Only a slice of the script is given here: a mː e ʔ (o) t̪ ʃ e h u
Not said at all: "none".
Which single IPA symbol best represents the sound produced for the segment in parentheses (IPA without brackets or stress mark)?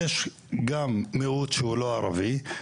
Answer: u